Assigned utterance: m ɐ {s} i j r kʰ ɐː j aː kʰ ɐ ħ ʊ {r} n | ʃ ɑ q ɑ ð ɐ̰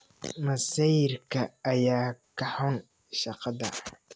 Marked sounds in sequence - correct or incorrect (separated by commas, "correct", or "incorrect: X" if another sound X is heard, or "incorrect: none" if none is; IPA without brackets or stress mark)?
correct, incorrect: none